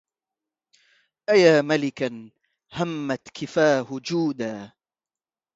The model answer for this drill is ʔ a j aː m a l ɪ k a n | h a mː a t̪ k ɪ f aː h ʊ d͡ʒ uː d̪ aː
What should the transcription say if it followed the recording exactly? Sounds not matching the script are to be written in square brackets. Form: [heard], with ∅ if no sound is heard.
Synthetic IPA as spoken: ʔ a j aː m a l ɪ k a n | h a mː a t̪ k ɪ f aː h ʊ d͡ʒ uː d̪ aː